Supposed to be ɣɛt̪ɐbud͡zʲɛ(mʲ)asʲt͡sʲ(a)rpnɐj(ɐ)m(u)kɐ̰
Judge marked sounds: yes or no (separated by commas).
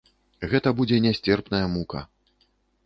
no, no, yes, yes